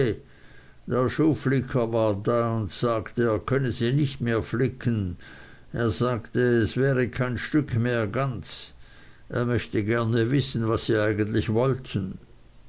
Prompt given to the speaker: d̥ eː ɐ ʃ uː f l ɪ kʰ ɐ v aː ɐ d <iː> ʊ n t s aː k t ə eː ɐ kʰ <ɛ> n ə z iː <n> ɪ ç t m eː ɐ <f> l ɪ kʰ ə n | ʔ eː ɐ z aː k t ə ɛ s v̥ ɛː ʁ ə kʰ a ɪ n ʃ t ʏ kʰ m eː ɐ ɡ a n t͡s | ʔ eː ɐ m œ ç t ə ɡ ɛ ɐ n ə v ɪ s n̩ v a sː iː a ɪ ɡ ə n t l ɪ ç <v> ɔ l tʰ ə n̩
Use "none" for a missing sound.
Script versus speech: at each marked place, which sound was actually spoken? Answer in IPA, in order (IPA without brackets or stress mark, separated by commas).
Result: aː, œ, n, f, v